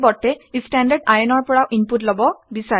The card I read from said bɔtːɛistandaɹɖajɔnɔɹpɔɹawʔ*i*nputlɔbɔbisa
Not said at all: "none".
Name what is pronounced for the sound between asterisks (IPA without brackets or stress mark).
i